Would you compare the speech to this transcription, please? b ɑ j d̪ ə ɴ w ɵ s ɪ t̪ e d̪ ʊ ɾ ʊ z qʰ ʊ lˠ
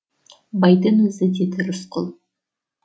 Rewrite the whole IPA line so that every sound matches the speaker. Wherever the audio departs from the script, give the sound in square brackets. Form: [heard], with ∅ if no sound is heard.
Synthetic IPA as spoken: b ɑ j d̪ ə [n] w ɵ [z] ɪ [d̪] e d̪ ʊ ɾ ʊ [s] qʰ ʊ lˠ